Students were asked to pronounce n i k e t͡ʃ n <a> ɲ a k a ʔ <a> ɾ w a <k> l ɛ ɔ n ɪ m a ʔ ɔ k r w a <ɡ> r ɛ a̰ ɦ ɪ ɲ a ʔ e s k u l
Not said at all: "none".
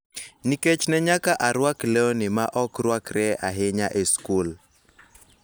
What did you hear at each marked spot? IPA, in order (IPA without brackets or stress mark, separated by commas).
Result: ɛ, a, k, k